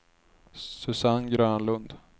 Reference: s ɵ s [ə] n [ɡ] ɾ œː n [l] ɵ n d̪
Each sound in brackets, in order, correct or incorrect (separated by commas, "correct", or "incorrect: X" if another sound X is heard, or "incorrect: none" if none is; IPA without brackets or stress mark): incorrect: a, correct, correct